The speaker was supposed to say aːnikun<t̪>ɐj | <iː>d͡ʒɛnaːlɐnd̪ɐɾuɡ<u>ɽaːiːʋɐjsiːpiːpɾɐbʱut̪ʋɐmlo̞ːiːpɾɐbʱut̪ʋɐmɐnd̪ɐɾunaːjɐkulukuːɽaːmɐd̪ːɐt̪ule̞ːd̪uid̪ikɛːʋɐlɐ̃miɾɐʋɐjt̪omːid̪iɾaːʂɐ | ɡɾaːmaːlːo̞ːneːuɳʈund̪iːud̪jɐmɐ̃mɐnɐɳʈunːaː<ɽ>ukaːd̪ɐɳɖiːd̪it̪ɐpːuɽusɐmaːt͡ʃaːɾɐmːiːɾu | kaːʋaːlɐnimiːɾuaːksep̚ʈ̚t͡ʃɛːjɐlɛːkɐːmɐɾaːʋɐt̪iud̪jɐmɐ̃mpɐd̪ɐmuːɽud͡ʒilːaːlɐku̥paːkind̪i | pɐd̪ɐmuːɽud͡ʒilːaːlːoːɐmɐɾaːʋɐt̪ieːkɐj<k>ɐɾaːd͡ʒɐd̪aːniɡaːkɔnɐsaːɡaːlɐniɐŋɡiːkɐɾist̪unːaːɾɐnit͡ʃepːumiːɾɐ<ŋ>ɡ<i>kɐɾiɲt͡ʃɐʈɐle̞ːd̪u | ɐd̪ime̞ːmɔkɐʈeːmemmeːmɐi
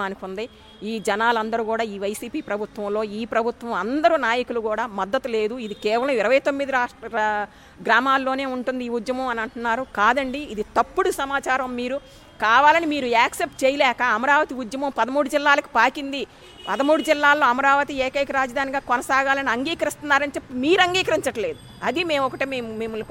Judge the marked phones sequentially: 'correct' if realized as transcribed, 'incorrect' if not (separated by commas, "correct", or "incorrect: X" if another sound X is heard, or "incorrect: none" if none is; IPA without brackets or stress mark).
incorrect: d̪, correct, incorrect: uː, incorrect: ɾ, correct, correct, incorrect: iː